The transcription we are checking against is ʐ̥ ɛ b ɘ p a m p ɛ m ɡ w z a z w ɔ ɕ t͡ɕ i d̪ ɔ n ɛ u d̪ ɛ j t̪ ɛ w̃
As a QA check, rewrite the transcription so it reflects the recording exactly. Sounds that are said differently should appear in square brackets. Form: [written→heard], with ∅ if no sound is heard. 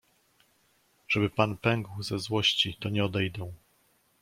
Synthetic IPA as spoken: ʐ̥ ɛ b ɘ p a [m→n] p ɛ [m→ŋ] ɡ w z [a→ɛ] z w ɔ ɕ t͡ɕ i [d̪→t̪] ɔ [n→ɲ] ɛ [u→ɔ] d̪ ɛ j [t̪→d̪] ɛ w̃